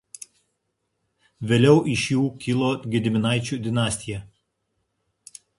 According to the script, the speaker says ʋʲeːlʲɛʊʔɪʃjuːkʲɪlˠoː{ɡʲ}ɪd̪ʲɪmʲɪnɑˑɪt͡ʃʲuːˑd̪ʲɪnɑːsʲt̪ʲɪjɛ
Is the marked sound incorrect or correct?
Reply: correct